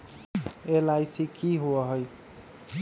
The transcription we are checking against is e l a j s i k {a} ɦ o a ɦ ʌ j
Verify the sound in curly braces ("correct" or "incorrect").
incorrect